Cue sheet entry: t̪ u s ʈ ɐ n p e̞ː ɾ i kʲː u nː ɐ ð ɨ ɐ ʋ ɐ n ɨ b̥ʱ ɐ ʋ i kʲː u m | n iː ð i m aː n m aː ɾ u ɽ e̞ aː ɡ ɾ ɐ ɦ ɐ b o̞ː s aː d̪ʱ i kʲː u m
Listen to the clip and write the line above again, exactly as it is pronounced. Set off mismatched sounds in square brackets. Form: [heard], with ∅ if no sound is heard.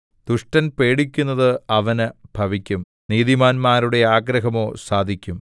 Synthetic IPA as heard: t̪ u [ʂ] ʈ ɐ n p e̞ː [ɽ] i kʲː u nː ɐ ð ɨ ɐ ʋ ɐ n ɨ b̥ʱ ɐ ʋ i kʲː u m | n iː ð i m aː n m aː ɾ u ɽ e̞ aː ɡ ɾ ɐ ɦ ɐ [m] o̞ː s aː d̪ʱ i kʲː u m